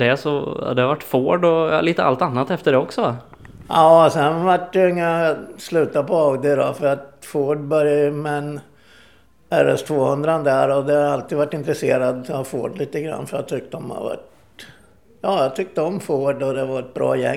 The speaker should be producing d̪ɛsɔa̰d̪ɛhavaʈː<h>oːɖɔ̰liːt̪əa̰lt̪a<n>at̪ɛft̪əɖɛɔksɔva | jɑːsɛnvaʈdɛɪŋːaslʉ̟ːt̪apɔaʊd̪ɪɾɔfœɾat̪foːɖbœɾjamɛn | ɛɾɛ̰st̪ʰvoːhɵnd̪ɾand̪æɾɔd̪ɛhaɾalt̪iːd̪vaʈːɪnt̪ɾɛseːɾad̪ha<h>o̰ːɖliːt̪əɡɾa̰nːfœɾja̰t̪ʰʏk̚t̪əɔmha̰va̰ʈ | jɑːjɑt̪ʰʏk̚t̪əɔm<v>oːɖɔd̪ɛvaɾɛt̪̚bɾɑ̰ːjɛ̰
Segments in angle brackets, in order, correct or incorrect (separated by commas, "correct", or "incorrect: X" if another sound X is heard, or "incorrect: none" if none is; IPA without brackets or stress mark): incorrect: f, incorrect: nː, incorrect: f, incorrect: f